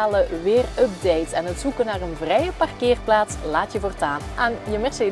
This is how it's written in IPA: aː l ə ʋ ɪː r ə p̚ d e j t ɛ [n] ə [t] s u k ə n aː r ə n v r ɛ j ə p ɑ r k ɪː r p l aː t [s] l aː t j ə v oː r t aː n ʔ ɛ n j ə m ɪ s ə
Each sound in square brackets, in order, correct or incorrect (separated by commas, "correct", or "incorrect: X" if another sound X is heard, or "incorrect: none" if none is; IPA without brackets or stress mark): correct, correct, correct